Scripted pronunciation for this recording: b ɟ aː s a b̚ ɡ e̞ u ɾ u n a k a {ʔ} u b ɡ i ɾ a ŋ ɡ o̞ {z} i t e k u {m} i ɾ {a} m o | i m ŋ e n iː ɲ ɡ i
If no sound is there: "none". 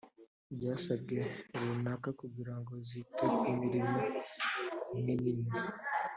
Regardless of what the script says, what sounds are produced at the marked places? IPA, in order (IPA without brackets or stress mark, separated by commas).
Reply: k, z, m, i